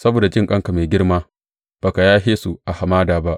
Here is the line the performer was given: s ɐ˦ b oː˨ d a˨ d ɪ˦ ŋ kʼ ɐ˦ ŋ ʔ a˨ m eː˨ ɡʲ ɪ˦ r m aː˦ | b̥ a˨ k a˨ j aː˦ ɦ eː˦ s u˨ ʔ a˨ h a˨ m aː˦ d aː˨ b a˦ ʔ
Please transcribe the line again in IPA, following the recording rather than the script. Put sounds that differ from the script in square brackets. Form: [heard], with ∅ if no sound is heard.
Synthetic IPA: s ɐ˦ b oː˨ d a˨ [d͡ʒ] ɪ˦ ŋ kʼ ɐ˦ ŋ [k] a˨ m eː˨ ɡʲ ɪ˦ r m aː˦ | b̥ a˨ k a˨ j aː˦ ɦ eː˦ s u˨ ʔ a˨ h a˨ m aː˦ d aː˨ b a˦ ʔ

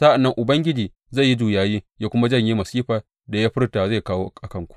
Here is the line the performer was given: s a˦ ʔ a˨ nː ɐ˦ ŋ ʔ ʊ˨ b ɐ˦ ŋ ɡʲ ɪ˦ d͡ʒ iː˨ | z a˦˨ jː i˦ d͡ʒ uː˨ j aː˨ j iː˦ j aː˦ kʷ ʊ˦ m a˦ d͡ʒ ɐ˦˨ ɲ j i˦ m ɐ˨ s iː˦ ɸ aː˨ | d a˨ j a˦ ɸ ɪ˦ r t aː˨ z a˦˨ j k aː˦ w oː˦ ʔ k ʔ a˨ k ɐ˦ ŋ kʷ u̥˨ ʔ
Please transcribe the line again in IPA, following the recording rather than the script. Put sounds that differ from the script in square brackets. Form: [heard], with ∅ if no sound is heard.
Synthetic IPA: s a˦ ʔ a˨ nː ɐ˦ ŋ ʔ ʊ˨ b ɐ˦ ŋ ɡʲ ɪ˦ d͡ʒ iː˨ | z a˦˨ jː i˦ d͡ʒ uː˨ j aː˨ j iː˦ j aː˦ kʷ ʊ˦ m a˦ d͡ʒ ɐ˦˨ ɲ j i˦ m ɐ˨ s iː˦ ɸ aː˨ | d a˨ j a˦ ɸ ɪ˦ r t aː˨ z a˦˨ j k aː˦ w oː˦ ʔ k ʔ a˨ k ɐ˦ ŋ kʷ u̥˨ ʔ

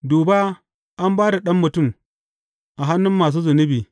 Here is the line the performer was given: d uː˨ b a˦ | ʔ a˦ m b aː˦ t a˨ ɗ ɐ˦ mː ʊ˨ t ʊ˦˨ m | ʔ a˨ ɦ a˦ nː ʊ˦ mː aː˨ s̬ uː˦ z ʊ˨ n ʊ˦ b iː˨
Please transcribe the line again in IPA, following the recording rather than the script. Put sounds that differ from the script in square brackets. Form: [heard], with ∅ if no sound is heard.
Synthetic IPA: d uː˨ b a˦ | ʔ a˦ m b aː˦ [d] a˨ ɗ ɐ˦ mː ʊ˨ t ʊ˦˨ m | ʔ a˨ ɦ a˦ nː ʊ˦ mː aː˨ s̬ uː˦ z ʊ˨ n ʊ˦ b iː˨

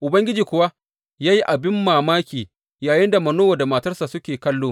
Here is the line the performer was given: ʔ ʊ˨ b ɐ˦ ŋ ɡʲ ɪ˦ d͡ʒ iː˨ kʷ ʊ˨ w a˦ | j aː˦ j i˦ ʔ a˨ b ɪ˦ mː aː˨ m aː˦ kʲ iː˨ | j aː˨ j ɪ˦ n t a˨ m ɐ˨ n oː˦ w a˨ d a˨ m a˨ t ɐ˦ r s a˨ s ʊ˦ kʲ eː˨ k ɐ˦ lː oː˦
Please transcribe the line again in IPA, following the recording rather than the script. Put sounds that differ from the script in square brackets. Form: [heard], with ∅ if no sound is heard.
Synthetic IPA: ʔ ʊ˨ b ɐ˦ ŋ ɡʲ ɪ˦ d͡ʒ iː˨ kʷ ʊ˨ w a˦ | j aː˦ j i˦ ʔ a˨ b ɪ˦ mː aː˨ m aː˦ kʲ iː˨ | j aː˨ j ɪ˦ n [d] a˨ m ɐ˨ n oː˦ w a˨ d a˨ m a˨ t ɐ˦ r s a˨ s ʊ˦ kʲ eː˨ k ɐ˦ lː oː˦

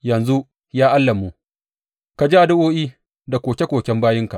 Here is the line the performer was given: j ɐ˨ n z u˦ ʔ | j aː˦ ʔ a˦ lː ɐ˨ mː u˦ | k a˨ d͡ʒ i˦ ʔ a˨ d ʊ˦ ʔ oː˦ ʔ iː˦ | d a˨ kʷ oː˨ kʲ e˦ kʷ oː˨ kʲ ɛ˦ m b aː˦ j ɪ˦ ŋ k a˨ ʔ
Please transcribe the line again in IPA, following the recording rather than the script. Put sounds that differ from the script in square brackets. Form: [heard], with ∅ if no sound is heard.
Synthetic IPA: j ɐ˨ n z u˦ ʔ | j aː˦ ʔ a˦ lː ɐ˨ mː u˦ | k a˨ d͡ʒ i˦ ʔ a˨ d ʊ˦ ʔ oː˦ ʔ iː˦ | d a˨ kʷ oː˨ kʲ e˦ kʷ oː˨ kʲ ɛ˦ m b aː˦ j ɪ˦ ŋ k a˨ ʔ

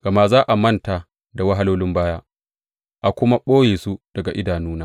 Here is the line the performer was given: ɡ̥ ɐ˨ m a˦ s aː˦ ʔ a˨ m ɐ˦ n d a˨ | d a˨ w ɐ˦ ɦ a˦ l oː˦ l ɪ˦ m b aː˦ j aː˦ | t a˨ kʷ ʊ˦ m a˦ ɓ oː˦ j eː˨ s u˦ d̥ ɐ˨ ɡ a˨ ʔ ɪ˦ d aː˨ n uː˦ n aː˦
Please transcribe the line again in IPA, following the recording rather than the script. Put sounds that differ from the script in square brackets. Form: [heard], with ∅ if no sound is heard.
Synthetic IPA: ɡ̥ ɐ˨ m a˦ [z] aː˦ ʔ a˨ m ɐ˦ n [t] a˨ | d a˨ w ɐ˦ ɦ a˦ l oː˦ l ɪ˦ m b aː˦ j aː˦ | [ʔ] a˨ kʷ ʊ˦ m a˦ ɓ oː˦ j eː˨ s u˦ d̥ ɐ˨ ɡ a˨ ʔ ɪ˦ d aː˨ n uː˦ n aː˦

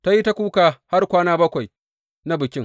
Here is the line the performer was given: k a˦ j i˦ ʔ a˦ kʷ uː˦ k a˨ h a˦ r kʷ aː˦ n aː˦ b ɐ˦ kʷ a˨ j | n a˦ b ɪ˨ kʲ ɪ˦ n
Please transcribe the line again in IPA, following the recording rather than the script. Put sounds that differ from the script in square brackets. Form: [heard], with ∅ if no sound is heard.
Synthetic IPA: [t] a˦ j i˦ [t] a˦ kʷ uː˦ k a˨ h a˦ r kʷ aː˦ n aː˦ b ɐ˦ kʷ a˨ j | n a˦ b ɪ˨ kʲ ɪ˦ [ŋ]

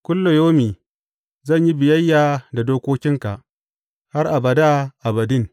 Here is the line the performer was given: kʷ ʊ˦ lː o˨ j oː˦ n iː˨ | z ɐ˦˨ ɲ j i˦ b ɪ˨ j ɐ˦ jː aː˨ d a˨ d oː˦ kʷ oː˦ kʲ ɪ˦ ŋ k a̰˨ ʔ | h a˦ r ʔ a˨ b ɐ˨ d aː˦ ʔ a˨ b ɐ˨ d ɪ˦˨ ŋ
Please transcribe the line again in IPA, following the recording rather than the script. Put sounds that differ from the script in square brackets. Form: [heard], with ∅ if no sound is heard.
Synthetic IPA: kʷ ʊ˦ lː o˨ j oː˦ [m] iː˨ | z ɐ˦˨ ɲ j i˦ b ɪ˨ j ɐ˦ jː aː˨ d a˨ d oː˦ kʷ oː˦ kʲ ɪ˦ ŋ k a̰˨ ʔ | h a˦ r ʔ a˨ b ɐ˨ d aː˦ ʔ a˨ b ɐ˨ d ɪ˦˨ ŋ

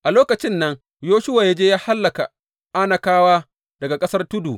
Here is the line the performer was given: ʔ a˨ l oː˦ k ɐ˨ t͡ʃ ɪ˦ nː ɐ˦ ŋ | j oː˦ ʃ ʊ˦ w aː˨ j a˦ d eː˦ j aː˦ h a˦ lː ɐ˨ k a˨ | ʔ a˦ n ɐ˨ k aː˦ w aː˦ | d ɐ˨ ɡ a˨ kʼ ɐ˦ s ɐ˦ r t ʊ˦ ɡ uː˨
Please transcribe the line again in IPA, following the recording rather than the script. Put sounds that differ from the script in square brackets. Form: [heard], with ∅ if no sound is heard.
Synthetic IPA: ʔ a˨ l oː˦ k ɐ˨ t͡ʃ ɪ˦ nː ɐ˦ ŋ | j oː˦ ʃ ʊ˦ w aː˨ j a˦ [d͡ʒ] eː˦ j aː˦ h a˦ lː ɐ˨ k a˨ | ʔ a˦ n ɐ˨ k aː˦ w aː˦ | d ɐ˨ ɡ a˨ kʼ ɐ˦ s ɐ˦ r t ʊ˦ [d] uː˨

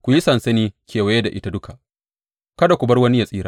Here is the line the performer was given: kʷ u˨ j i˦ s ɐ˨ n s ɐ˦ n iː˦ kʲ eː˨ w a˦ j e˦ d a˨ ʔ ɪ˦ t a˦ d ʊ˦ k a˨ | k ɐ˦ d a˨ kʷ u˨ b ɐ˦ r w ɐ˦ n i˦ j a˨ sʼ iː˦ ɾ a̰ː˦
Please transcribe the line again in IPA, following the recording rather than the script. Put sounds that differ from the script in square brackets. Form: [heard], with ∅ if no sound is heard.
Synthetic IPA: kʷ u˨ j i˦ s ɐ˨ n s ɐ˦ n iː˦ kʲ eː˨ w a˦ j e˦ d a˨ ʔ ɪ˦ t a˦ d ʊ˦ k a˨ | k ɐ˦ d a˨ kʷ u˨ b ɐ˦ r w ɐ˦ n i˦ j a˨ sʼ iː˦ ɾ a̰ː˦

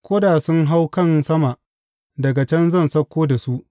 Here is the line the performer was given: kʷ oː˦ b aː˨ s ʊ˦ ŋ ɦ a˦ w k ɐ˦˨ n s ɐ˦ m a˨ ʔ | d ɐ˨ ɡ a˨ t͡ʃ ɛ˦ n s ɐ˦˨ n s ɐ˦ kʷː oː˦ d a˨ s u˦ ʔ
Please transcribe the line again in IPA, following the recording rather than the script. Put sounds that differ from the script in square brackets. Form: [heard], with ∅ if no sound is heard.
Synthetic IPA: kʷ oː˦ [d] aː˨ s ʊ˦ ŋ ɦ a˦ w k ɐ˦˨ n s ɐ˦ m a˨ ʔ | d ɐ˨ ɡ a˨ t͡ʃ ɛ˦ n [z] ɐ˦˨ n s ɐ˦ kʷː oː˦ d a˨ s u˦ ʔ

